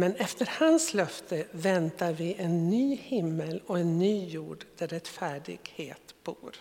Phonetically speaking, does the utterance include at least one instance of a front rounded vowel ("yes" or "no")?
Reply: yes